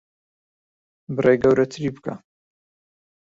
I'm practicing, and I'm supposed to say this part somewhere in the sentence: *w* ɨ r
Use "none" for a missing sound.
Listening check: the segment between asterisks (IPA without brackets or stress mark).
b